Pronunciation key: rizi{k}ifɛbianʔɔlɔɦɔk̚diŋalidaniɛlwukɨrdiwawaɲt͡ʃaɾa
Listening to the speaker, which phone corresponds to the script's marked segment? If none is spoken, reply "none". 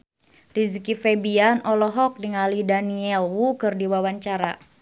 k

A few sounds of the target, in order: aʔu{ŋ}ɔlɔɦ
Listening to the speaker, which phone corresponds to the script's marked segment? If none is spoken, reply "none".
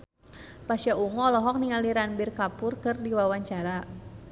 ŋ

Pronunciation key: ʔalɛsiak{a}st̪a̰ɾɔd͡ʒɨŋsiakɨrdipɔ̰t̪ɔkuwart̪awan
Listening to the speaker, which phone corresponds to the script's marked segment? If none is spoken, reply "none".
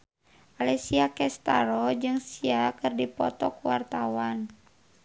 ɛ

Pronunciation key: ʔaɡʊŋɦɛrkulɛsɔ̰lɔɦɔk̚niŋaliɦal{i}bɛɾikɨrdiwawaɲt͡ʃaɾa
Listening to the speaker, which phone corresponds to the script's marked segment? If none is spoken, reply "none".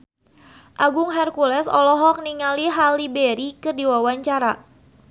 i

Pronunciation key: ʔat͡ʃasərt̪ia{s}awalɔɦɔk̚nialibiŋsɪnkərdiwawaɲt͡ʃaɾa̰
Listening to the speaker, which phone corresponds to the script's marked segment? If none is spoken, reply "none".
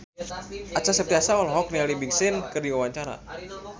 s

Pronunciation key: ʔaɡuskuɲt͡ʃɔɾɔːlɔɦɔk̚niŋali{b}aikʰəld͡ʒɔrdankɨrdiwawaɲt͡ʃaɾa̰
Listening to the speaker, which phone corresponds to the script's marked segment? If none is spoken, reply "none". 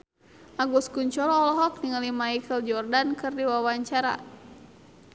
m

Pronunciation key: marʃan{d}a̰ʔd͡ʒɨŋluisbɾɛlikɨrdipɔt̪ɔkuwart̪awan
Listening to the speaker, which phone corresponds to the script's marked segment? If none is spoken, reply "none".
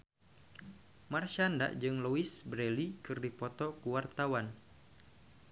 d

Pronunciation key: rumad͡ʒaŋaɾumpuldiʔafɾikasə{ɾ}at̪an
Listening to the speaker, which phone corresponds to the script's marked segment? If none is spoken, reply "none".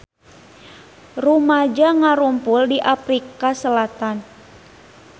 l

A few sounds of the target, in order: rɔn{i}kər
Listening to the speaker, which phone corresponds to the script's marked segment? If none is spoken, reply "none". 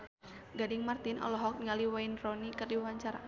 i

